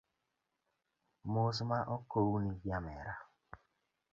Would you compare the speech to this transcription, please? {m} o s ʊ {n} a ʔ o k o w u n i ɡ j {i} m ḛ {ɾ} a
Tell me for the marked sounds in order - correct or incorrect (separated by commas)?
correct, incorrect, incorrect, correct